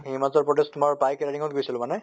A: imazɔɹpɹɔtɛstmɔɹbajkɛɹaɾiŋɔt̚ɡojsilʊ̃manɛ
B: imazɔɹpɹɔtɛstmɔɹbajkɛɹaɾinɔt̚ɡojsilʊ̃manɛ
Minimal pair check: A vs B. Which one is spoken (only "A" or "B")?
A